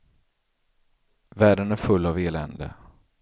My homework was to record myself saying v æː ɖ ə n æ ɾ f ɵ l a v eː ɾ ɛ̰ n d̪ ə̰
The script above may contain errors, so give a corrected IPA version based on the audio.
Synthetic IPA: v æː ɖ ə n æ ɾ f ɵ lː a v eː l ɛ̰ n d̪ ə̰